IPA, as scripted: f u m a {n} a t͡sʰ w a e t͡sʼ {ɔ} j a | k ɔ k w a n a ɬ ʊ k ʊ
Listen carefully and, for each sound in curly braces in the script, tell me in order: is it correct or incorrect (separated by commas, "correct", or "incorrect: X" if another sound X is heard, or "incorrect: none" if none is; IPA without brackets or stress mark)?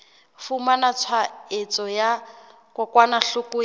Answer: correct, correct